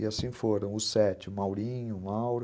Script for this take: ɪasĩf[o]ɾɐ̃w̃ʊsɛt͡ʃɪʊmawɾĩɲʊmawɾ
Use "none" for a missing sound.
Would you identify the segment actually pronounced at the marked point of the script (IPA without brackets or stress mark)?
o